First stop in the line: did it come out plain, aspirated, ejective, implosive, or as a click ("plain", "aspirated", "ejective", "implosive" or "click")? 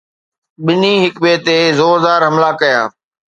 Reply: implosive